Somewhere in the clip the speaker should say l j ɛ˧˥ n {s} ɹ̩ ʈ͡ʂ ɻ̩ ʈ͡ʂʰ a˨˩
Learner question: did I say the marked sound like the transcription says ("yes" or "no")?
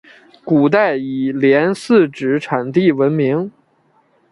yes